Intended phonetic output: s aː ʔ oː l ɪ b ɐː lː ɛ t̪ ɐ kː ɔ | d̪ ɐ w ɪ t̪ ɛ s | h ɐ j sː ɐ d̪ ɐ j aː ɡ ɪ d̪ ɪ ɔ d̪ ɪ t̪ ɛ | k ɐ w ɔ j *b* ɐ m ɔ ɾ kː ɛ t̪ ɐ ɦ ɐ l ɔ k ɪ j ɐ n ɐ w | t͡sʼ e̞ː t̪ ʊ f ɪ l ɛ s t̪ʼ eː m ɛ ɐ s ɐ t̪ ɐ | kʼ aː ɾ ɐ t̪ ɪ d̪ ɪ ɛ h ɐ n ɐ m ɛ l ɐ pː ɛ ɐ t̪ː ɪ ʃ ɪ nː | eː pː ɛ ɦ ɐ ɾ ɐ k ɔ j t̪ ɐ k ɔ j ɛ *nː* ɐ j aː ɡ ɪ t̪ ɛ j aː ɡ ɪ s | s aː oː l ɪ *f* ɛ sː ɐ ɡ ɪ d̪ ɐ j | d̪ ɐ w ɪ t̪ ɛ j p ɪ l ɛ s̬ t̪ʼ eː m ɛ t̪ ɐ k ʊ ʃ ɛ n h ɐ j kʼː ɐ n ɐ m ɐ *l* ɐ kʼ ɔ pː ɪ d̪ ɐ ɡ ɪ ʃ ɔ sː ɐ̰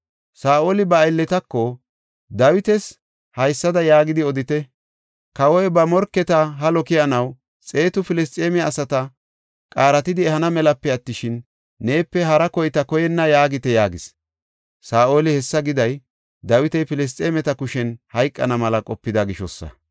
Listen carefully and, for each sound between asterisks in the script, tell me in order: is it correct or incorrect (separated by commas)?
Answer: correct, correct, incorrect, correct